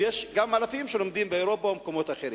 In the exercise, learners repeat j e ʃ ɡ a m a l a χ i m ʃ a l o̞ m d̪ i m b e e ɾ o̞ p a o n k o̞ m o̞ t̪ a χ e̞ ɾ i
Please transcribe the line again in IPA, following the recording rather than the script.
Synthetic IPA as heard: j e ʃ ɡ a m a l a f i m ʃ e l o̞ m d̪ i m b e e ɾ o̞ p a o m k o̞ m o̞ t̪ a χ e̞ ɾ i